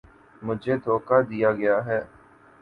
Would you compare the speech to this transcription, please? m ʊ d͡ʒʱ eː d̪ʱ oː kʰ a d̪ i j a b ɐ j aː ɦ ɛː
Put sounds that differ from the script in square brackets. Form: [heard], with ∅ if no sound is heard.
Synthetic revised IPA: m ʊ d͡ʒʱ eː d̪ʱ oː [k] a d̪ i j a [ɡ] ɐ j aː ɦ ɛː